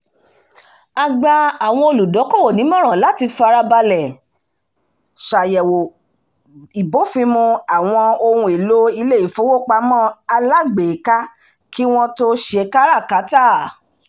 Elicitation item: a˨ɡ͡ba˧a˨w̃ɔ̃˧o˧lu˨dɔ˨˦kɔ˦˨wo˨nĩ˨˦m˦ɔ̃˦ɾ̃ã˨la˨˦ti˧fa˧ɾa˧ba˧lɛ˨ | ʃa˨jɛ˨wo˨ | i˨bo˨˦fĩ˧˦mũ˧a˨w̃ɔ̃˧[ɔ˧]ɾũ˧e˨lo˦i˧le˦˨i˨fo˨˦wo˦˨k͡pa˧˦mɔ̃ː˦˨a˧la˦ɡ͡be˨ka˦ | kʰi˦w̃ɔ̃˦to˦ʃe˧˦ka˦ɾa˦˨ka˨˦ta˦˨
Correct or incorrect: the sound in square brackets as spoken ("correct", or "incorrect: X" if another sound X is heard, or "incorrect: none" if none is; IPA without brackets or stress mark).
incorrect: o˧